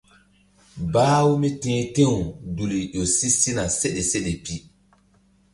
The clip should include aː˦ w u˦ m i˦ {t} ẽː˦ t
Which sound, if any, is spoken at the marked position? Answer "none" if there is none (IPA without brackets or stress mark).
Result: t